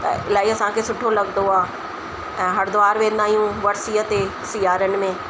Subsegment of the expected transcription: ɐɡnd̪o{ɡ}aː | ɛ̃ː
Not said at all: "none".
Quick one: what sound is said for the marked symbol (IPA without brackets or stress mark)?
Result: none